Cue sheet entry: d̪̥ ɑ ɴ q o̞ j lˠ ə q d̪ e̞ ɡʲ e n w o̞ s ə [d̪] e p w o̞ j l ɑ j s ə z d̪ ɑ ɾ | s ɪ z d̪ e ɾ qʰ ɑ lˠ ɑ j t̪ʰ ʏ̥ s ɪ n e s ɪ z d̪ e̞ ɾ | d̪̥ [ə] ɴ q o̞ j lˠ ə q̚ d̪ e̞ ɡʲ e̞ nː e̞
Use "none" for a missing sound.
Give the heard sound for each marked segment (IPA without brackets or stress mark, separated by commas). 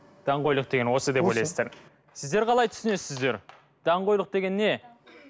d̪, ɑ